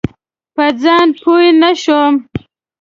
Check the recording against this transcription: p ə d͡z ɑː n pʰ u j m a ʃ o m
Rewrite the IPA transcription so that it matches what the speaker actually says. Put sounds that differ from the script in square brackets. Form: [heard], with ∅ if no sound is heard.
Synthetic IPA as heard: p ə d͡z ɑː n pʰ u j [n] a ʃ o m